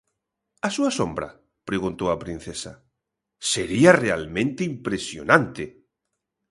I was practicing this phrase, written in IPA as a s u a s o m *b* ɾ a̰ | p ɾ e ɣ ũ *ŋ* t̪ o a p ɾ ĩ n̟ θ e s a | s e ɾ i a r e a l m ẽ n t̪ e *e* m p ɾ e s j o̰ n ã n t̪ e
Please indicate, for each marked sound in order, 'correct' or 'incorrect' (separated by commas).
correct, incorrect, incorrect